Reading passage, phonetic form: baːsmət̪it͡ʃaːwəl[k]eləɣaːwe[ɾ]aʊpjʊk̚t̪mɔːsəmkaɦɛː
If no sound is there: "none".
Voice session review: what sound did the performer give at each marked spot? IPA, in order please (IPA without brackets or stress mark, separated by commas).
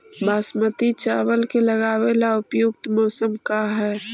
k, l